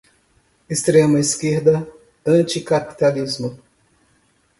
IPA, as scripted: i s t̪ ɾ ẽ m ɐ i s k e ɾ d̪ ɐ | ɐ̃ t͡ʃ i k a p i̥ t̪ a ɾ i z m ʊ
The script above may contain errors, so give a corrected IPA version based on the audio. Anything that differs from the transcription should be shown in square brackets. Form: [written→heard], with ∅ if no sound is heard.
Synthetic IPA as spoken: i s t̪ ɾ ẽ m ɐ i s k e ɾ d̪ ɐ | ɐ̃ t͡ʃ i k a p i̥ t̪ a [ɾ→l] i z m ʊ